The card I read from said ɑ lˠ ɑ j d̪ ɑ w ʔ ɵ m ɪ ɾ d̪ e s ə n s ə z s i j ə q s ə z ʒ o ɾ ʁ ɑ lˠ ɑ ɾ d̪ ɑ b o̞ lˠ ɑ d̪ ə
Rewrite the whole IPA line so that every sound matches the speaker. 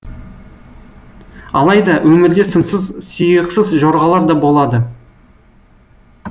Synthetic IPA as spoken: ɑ lˠ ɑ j d̪ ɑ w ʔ ɵ m ɪ ɾ d̪ e s ə n s ə z s i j ə q s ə z ʒ o ɾ ʁ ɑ lˠ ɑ ɾ d̪ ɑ b o̞ lˠ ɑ d̪ ə